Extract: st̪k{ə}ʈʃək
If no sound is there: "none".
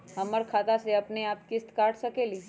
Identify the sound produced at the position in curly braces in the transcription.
a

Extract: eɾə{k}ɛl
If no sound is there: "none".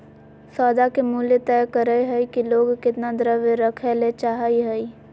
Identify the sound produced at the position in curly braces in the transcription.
kʰ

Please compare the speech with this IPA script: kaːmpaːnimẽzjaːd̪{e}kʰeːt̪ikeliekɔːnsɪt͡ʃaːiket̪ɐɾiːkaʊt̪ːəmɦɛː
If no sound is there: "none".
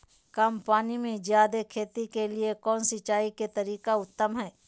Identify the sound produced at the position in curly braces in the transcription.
e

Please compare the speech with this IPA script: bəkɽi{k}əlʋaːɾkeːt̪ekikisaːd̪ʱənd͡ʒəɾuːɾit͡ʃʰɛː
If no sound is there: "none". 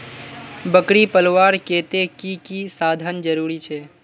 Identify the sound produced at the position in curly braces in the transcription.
p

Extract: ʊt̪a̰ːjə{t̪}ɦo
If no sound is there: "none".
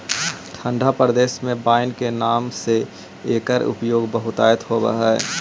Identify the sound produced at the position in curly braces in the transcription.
t̪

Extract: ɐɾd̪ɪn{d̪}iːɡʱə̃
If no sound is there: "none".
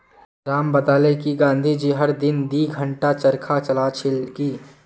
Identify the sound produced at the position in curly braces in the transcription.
d̪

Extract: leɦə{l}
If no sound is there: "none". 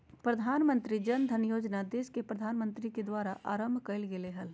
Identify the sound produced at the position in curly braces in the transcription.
l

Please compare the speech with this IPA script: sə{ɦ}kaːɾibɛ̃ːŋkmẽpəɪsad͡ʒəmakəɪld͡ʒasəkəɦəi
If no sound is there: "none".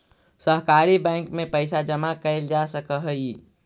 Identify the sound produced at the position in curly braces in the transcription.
ɦ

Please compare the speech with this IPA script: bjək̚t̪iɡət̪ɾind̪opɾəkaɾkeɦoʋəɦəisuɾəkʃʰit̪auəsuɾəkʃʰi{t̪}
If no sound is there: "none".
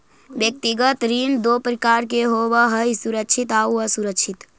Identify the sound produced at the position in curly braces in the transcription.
t̪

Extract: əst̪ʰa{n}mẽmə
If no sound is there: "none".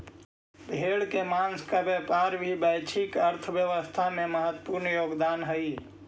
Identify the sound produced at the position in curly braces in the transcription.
none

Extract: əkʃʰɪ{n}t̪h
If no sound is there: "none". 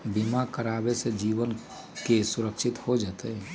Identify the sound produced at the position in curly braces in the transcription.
none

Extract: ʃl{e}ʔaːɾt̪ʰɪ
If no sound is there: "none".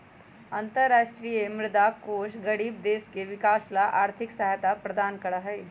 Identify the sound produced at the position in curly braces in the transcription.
a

